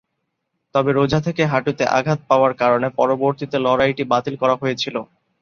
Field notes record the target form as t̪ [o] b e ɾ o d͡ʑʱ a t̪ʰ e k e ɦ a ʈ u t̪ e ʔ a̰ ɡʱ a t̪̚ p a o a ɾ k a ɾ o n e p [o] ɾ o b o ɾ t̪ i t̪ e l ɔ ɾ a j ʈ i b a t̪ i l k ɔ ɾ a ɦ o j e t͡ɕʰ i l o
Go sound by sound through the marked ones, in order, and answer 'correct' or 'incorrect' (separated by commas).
incorrect, incorrect